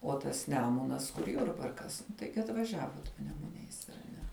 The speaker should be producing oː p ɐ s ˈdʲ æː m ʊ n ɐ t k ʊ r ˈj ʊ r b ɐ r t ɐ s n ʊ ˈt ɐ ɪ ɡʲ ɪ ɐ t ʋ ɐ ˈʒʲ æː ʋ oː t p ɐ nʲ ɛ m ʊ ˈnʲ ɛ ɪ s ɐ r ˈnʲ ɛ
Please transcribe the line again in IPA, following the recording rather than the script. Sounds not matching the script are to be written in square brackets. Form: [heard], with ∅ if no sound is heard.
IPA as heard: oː [t] ɐ s [ˈnʲ] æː m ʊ n ɐ [s] k ʊ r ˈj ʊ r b ɐ r [k] ɐ s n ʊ ˈt ɐ ɪ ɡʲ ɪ ɐ t ʋ ɐ ˈʒʲ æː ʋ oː t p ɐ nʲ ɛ m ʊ ˈnʲ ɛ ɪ s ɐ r ˈnʲ ɛ